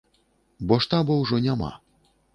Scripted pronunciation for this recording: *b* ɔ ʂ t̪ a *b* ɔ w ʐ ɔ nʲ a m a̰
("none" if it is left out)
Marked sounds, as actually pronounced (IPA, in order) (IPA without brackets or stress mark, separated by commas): b, b